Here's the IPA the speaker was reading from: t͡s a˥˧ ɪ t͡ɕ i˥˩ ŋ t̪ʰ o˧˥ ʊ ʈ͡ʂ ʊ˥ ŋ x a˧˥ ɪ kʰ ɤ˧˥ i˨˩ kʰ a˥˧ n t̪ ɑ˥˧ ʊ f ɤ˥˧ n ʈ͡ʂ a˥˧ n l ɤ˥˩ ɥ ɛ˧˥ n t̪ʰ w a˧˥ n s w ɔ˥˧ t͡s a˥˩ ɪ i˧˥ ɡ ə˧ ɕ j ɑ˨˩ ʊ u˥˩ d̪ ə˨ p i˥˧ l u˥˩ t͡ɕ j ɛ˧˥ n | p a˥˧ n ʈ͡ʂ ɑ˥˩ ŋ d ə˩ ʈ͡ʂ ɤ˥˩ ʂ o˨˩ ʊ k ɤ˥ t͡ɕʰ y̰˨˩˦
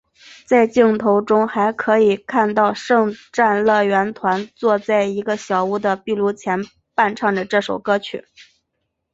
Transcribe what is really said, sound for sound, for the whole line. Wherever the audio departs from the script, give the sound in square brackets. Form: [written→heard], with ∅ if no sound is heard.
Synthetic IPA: t͡s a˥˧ ɪ t͡ɕ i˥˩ ŋ t̪ʰ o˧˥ ʊ ʈ͡ʂ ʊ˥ ŋ x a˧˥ ɪ kʰ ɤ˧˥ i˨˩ kʰ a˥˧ n t̪ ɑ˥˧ ʊ [f→ʂ] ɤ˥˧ [n→ŋ] ʈ͡ʂ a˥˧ n l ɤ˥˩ ɥ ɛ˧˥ n t̪ʰ w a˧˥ n [s→t͡s] w ɔ˥˧ t͡s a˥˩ ɪ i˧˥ ɡ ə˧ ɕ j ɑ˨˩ ʊ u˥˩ d̪ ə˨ p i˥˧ l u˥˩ [t͡ɕ→t͡ɕʰ] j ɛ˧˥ n | p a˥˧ n [ʈ͡ʂ→ʈ͡ʂʰ] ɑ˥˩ ŋ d ə˩ ʈ͡ʂ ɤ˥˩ ʂ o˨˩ ʊ k ɤ˥ t͡ɕʰ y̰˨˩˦